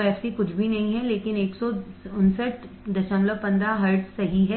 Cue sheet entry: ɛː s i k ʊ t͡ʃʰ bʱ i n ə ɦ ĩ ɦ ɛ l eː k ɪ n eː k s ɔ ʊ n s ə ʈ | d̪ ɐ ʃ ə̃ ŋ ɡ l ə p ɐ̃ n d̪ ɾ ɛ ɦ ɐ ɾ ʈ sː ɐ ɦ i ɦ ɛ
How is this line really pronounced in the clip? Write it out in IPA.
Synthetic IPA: ɛː s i k ʊ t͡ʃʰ bʱ i n ɐ ɦ ĩ ɦ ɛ l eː k ɪ n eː k s ɔ ʊ n s ə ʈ | d̪ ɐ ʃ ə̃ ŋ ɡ l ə p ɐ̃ n d̪ ɾ a ɦ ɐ ɾ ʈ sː ɐ ɦ i ɦ ɛ